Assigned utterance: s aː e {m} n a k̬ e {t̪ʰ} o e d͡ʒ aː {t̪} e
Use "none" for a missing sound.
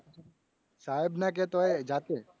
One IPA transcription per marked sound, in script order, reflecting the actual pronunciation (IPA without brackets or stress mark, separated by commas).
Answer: b, t̪, t̪